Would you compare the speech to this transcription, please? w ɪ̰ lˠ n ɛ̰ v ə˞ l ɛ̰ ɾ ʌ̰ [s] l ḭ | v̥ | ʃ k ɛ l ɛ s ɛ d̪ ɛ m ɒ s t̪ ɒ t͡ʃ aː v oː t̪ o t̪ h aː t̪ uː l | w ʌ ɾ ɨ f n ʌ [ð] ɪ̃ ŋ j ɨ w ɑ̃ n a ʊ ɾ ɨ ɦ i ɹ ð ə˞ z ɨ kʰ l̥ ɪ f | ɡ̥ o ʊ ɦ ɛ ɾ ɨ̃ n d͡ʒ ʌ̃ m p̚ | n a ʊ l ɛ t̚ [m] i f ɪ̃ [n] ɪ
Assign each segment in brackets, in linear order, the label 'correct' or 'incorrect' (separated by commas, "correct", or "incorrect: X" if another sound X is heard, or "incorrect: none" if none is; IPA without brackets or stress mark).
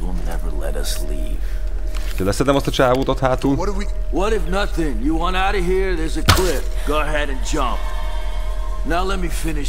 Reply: correct, incorrect: θ, correct, correct